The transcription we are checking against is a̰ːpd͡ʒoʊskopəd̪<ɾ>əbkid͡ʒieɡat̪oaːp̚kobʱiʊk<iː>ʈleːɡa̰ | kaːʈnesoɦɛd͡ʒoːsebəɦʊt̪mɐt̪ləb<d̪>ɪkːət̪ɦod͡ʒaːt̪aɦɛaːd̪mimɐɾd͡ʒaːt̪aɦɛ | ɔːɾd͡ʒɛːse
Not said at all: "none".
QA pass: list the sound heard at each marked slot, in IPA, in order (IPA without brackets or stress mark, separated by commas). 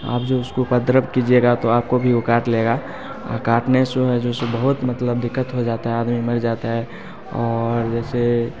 ɾ, aː, d̪